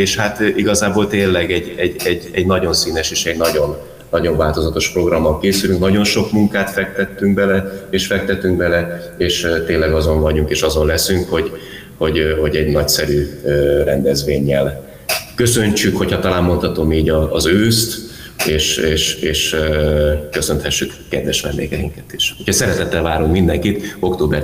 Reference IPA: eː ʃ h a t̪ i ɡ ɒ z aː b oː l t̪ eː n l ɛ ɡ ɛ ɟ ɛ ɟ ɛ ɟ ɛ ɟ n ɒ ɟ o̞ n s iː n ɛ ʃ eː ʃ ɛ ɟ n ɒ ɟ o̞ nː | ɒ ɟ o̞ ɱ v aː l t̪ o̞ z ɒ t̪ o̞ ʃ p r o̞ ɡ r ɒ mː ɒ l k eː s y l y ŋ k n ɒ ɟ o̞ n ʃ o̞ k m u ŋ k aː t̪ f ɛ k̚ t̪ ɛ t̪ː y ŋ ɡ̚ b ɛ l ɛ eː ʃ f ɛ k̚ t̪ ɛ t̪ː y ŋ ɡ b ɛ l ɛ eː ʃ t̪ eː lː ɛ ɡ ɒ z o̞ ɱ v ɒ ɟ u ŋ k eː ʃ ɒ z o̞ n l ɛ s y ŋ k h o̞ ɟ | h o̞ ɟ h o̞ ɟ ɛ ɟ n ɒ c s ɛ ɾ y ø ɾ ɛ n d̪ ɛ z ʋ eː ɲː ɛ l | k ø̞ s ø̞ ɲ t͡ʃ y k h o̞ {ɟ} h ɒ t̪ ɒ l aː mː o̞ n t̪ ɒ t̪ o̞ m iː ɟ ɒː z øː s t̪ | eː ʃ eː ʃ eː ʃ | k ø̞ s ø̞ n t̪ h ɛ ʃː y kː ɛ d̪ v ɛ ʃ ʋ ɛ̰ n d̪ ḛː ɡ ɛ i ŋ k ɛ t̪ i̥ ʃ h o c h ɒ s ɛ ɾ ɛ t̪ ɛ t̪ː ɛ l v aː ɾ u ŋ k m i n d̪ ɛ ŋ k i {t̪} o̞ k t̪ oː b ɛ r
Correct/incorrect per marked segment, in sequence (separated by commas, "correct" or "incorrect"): incorrect, correct